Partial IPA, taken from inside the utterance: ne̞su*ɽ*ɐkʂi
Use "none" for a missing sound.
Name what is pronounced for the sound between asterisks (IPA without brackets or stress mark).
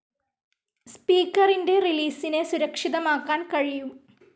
ɾ